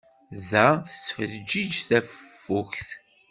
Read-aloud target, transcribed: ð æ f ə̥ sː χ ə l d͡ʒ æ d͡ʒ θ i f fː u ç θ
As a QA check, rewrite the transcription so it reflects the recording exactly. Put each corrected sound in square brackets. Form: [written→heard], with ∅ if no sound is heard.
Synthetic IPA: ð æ [f→θ] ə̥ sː [χ→f] ə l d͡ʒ [æ→i] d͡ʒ θ [i→æ] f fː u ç θ